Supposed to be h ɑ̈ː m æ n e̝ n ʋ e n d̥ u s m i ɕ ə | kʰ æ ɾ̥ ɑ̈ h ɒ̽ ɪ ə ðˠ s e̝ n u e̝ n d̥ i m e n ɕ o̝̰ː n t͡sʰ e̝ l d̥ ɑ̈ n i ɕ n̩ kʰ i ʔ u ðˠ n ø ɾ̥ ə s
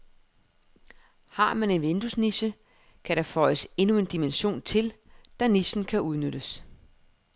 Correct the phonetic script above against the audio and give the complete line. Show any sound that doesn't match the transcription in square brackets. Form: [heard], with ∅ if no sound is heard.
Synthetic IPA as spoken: h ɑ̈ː m æ n e̝ n ʋ e n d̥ u s [n] i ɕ ə | kʰ æ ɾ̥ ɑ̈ [f] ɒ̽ ɪ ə [∅] s e̝ n u e̝ n d̥ i m e n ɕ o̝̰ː n t͡sʰ e̝ l d̥ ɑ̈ n i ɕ n̩ kʰ [æ] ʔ u ðˠ n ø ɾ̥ ə s